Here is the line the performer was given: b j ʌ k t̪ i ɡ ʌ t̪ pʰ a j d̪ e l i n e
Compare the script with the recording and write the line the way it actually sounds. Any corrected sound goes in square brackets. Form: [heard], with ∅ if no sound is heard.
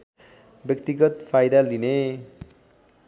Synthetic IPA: b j ʌ k t̪ i ɡ ʌ t̪ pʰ a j d̪ [a] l i n e